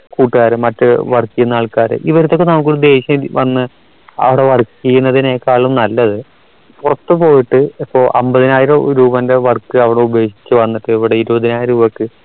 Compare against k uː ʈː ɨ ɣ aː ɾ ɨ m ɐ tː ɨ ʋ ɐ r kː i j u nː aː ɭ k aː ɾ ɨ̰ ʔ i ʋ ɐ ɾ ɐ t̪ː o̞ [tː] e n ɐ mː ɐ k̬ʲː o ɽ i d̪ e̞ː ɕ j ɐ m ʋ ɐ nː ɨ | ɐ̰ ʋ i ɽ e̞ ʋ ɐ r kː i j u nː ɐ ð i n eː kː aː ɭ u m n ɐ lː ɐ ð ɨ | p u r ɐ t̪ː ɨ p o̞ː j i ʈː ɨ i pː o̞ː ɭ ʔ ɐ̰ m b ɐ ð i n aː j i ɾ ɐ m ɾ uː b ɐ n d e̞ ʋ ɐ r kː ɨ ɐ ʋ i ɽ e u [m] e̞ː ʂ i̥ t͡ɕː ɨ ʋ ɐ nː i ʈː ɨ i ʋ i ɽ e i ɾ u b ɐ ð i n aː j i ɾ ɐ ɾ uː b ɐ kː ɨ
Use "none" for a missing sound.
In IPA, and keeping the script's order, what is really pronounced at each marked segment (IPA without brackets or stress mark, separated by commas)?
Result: kː, b